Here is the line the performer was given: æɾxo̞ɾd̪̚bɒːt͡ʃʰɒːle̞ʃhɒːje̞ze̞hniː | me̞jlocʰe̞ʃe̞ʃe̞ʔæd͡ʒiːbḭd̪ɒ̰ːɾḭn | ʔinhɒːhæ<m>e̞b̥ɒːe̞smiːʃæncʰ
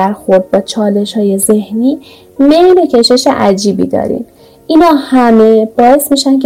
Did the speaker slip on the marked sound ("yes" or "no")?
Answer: no